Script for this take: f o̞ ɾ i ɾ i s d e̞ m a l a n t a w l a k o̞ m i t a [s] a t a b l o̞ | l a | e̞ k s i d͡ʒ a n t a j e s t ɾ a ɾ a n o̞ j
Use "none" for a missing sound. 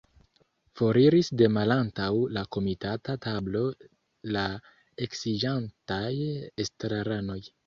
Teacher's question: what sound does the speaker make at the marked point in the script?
t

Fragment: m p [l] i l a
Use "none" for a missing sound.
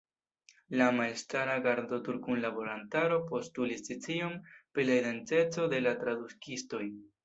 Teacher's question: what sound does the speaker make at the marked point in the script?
ɾ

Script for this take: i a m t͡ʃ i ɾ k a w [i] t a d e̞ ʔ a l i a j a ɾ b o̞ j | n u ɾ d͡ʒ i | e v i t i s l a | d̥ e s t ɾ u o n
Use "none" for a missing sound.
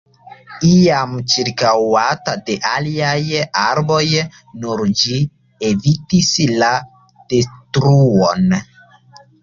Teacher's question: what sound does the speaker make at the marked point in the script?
a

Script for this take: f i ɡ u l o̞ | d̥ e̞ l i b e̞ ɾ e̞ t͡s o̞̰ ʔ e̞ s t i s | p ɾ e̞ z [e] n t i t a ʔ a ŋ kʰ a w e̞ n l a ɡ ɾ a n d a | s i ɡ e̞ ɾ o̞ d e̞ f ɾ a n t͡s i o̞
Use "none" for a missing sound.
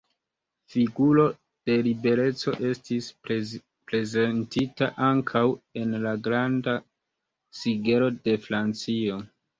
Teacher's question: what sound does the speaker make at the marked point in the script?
e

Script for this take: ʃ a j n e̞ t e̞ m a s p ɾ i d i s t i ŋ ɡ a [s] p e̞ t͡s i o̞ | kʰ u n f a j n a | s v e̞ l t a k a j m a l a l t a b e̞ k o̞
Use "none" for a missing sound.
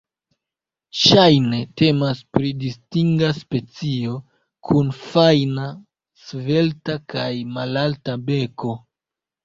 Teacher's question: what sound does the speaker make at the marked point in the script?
s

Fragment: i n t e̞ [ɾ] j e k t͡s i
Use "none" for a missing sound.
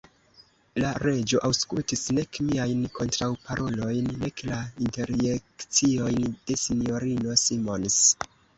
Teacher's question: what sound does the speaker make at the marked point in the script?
ɾ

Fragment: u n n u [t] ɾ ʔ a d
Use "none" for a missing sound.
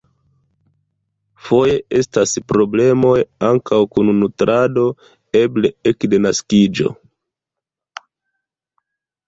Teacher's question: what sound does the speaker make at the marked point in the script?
t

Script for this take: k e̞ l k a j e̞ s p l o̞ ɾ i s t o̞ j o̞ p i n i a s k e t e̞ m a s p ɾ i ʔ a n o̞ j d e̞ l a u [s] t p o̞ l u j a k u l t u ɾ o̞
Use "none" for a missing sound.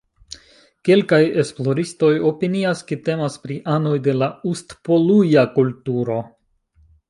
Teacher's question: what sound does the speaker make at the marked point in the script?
s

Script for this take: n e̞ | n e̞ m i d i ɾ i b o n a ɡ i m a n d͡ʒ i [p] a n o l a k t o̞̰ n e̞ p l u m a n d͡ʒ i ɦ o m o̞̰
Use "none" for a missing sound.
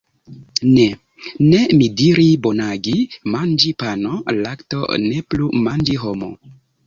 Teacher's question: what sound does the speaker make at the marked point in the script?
p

